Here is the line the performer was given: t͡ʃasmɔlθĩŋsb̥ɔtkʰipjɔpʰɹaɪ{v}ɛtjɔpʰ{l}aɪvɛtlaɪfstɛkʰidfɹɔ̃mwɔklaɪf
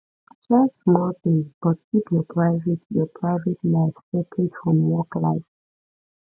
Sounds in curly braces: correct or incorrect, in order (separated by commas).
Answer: correct, incorrect